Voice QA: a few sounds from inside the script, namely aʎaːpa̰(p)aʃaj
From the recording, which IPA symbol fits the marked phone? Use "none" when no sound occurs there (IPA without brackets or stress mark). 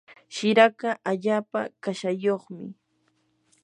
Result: k